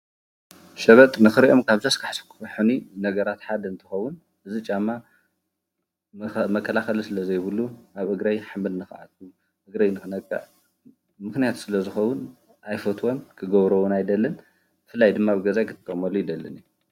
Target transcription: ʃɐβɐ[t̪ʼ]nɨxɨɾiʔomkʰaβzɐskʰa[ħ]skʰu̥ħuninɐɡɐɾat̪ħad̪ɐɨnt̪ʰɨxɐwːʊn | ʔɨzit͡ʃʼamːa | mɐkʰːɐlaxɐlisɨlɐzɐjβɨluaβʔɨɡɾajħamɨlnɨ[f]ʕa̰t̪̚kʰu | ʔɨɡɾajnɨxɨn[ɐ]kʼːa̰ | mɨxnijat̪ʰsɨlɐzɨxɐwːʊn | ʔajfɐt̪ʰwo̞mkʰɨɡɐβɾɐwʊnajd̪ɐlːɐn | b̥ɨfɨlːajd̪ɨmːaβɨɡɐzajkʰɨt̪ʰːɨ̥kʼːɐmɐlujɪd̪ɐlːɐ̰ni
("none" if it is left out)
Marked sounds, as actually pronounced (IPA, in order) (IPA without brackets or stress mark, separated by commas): t̪ʼ, ħ, x, ɐ